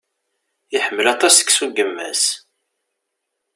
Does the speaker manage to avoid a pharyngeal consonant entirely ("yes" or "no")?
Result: no